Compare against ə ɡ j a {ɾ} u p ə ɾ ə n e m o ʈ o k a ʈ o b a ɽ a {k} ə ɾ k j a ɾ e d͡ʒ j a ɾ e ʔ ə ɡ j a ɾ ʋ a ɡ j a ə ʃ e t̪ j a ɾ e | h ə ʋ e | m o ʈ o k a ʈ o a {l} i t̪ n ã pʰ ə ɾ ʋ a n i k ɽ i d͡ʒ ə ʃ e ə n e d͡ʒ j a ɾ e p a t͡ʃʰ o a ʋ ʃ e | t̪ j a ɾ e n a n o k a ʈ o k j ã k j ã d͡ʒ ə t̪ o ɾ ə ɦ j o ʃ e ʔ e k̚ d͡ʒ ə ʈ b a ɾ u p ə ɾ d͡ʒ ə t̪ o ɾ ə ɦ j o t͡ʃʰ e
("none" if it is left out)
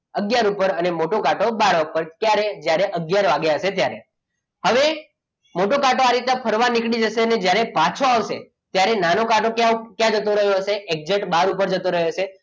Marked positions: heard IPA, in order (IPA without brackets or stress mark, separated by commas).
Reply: ɾ, p, ɾ